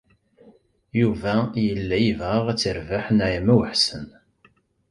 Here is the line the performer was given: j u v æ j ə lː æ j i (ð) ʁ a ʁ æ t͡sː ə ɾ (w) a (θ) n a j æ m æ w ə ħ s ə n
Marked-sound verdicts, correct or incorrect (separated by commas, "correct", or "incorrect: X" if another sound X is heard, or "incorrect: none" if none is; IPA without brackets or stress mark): incorrect: v, incorrect: v, incorrect: ħ